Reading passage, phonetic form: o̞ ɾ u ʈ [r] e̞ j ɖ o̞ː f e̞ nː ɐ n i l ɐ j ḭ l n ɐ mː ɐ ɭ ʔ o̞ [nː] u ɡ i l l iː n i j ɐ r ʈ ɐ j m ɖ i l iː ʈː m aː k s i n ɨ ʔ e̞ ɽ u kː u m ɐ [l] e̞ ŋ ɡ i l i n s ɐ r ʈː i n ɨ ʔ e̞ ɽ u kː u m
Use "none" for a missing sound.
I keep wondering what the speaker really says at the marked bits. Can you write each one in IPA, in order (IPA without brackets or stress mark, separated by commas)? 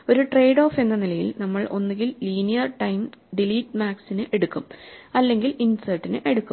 r, nː, lː